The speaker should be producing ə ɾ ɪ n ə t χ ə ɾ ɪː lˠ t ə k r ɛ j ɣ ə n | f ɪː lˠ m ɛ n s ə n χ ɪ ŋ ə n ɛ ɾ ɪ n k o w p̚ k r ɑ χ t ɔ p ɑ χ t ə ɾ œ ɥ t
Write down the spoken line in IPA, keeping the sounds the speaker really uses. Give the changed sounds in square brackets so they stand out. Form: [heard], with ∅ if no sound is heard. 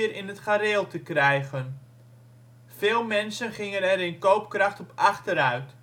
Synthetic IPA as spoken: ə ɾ ɪ n ə t χ [a] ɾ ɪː lˠ t ə k r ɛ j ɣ ə n | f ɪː lˠ m ɛ n s ə n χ ɪ ŋ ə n ɛ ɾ ɪ n k o w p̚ k r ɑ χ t ɔ p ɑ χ t ə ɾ œ ɥ t